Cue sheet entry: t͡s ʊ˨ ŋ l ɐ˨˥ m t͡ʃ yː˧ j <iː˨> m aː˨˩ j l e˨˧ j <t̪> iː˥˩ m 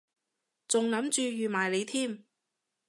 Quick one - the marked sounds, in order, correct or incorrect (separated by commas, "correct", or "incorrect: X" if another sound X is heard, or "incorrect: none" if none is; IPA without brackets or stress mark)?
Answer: incorrect: yː˨, incorrect: t̪ʰ